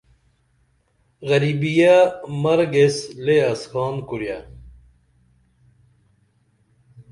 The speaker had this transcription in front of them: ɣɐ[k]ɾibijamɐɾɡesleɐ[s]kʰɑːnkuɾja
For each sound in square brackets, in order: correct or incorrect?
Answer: incorrect, correct

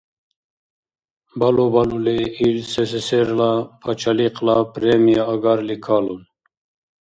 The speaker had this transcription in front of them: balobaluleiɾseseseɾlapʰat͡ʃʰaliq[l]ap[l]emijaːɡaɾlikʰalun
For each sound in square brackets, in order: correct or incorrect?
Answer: correct, incorrect

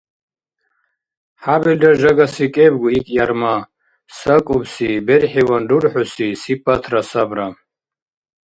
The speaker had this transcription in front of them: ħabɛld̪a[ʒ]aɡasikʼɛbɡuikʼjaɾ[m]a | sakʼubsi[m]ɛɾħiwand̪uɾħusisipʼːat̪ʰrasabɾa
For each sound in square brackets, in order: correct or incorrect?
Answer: correct, correct, incorrect

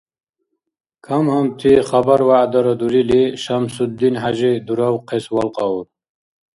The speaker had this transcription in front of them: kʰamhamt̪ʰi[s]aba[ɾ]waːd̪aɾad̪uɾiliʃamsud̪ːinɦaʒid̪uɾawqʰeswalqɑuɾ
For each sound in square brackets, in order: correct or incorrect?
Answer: incorrect, correct

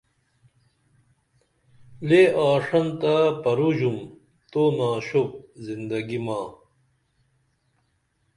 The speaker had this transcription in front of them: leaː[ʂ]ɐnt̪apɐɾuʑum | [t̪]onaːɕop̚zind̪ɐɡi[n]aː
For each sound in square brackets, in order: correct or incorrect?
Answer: correct, correct, incorrect

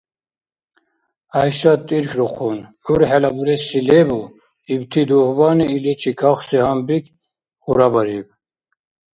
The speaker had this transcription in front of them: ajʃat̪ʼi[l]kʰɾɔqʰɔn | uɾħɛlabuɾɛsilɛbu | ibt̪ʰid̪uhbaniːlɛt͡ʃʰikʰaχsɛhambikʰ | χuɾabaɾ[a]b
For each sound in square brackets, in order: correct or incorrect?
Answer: incorrect, incorrect

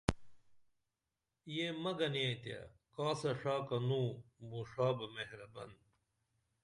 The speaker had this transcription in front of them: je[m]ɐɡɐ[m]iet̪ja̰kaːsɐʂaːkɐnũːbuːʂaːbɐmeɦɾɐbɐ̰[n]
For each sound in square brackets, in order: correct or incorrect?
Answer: correct, incorrect, correct

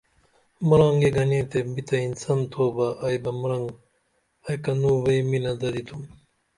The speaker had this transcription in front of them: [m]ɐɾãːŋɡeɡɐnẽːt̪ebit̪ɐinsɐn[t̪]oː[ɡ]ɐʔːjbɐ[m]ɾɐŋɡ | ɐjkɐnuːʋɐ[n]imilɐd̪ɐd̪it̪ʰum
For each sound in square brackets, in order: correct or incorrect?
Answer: correct, incorrect, incorrect, correct, incorrect

